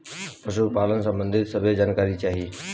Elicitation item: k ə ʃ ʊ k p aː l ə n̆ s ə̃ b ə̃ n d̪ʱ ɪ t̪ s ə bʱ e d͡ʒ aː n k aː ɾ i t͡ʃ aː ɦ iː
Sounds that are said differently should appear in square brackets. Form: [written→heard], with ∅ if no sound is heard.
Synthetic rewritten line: [k→p] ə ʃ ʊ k p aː l ə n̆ s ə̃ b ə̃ n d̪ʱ ɪ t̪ s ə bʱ e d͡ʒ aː n k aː ɾ i t͡ʃ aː ɦ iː